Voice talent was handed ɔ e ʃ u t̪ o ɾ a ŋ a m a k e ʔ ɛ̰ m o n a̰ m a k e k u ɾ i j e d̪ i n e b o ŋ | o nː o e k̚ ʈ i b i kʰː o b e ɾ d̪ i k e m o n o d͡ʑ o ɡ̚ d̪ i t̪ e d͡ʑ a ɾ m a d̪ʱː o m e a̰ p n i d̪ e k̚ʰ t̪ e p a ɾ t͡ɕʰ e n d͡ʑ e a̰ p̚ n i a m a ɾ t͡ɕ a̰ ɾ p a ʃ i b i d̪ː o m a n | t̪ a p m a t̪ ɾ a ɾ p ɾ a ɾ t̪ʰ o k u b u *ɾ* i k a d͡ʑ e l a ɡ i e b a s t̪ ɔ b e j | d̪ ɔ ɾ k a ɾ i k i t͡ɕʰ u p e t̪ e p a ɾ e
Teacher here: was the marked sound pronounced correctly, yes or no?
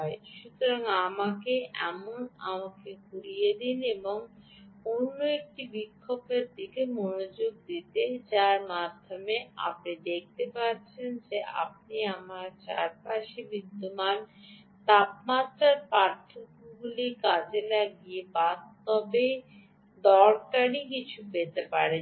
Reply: no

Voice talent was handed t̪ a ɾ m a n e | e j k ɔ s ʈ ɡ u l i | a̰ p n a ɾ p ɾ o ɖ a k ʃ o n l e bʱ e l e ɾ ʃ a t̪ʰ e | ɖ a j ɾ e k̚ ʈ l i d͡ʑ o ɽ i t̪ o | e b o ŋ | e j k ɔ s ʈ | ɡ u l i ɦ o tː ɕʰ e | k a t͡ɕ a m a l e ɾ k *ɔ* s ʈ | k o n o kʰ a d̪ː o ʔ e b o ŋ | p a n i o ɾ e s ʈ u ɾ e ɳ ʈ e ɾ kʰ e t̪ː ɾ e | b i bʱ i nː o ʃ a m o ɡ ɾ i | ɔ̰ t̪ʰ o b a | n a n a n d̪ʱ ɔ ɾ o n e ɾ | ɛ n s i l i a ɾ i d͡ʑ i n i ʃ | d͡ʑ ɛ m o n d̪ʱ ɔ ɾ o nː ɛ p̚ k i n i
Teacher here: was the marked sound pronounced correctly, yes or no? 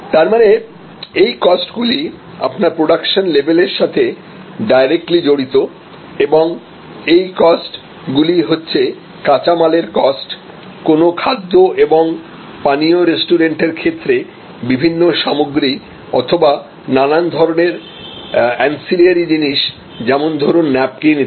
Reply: yes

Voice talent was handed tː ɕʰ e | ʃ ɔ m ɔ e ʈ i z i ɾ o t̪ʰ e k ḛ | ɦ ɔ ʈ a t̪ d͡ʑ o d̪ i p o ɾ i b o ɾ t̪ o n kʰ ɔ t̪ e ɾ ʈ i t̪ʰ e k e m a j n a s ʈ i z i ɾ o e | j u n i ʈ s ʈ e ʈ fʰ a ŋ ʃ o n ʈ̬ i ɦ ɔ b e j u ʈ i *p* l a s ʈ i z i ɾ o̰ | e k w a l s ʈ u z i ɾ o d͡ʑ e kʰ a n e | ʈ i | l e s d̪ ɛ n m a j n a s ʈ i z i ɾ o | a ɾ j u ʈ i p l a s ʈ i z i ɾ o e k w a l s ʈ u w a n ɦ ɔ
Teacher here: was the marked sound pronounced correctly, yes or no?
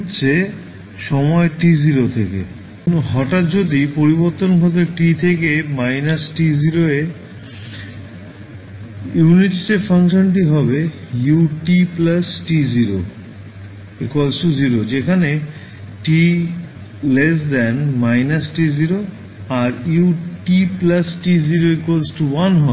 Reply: yes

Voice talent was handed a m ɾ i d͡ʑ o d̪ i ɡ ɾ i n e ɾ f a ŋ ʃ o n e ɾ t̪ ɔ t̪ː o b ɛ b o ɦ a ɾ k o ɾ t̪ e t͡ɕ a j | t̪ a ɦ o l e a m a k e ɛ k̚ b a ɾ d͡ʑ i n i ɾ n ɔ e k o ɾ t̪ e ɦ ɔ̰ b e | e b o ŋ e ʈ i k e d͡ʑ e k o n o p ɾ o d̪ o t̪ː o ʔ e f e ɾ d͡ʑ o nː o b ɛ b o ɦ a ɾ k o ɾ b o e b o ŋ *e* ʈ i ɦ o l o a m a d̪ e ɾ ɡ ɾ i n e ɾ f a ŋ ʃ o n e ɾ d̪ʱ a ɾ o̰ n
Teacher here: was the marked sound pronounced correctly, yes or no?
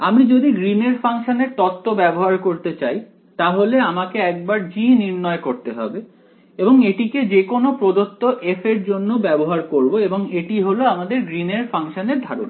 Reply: yes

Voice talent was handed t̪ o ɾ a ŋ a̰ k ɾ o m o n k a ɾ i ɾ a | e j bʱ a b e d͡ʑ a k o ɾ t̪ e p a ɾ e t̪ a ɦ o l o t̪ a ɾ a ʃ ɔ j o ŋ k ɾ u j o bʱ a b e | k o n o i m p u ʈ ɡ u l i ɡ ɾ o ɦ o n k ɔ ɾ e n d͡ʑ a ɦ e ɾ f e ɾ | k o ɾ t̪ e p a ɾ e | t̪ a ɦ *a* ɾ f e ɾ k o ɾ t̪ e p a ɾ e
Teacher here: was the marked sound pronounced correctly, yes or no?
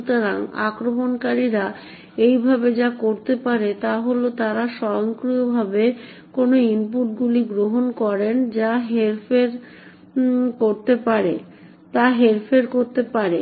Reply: no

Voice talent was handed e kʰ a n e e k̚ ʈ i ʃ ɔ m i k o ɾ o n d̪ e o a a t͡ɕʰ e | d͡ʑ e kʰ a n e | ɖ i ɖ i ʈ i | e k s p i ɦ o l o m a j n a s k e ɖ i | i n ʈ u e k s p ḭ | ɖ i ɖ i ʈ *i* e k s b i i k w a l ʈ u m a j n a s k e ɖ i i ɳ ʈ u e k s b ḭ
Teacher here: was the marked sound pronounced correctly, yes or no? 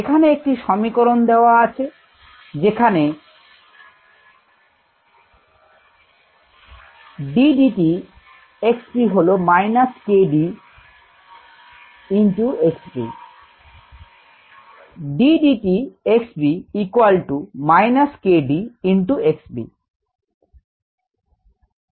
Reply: yes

